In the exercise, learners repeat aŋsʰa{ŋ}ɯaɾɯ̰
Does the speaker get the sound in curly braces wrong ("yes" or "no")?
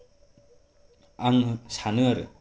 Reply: yes